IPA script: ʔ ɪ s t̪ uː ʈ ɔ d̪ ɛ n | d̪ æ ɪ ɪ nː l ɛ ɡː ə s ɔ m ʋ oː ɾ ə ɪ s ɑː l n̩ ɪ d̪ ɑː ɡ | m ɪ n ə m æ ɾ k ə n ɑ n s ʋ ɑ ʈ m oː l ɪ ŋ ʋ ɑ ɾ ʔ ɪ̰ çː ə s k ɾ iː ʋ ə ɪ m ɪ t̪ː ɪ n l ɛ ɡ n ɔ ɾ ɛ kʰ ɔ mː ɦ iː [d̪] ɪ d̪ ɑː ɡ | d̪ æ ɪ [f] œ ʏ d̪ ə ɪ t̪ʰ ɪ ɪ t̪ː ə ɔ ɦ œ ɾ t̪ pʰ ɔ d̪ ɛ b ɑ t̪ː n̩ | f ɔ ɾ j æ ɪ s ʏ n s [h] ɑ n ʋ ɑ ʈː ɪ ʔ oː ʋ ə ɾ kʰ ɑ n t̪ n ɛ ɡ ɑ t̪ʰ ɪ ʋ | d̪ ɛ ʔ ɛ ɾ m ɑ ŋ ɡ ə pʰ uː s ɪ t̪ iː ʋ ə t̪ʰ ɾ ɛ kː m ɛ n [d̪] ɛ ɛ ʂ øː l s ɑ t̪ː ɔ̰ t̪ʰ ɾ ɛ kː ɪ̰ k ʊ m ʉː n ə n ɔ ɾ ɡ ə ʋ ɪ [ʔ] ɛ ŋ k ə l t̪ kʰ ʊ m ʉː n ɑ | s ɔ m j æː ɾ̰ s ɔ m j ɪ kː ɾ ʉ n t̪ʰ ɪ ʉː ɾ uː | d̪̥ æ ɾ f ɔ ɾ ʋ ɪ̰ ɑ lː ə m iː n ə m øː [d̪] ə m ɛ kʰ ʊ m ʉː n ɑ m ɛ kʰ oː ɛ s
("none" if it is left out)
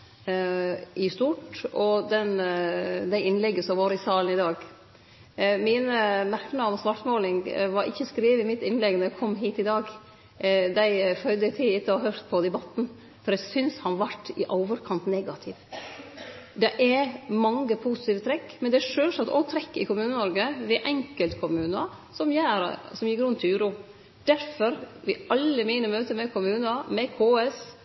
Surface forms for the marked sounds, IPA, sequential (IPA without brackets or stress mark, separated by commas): t̪, f, h, d̪, ʔ, t̪